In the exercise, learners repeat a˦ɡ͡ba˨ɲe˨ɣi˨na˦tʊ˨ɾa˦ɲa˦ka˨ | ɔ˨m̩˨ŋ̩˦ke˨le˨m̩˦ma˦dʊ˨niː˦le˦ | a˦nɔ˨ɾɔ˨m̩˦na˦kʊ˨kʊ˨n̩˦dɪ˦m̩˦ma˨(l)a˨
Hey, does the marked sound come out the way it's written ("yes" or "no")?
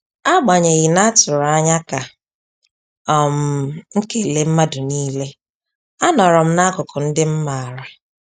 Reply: no